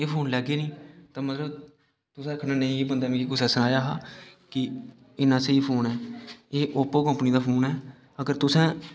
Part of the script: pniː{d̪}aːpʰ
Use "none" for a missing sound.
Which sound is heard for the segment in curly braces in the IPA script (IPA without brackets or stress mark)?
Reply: d̪